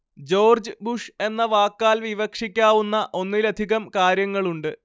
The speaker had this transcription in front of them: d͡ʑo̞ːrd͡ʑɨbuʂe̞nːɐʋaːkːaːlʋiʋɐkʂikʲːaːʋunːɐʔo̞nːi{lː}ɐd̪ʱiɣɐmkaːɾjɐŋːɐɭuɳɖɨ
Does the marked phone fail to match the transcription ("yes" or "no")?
yes